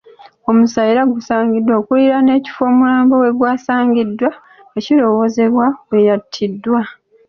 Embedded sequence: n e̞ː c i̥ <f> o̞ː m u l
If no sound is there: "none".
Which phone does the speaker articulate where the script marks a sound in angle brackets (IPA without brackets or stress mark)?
f